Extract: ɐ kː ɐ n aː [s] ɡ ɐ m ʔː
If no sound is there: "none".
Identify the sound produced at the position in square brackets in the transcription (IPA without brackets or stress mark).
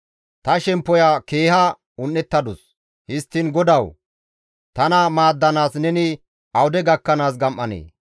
s